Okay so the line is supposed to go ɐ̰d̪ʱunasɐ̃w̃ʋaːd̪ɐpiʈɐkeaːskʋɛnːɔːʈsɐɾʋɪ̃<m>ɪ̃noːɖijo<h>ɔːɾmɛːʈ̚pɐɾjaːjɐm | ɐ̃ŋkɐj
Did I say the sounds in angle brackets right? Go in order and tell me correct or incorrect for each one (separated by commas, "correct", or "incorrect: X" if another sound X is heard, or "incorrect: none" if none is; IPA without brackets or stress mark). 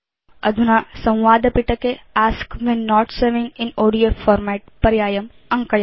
incorrect: ŋ, incorrect: f